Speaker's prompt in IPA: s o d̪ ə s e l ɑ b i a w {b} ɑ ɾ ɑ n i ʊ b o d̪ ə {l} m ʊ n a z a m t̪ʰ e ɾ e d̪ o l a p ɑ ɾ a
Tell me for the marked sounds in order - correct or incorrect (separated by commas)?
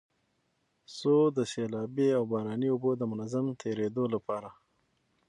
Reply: correct, incorrect